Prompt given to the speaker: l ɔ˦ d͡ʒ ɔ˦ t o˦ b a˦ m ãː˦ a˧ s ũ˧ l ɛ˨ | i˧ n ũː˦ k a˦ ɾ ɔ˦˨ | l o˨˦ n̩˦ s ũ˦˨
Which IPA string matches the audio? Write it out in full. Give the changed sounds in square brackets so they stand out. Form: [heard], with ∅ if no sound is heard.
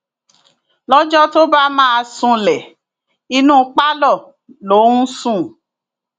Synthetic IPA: l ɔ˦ d͡ʒ ɔ˦ t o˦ b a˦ m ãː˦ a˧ s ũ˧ l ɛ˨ | i˧ n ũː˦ [k͡p] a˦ [l] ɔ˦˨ | l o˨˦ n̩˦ s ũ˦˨